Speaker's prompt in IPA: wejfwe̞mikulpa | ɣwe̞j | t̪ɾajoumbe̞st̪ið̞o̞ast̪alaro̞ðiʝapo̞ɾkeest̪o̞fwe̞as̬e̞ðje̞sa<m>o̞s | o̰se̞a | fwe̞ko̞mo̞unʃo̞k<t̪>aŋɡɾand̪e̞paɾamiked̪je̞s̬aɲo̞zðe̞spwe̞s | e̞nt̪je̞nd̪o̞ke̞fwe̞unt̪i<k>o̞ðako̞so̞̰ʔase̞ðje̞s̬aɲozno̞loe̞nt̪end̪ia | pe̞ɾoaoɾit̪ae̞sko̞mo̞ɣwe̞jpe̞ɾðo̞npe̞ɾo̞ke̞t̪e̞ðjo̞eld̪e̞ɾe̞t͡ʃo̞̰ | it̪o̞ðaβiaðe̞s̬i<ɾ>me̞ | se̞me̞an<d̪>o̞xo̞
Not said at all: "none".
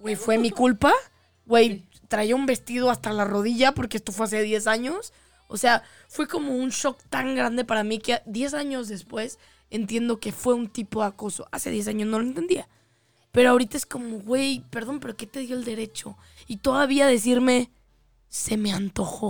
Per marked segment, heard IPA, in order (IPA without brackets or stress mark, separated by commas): ɲ, t̪, p, ɾ, t̪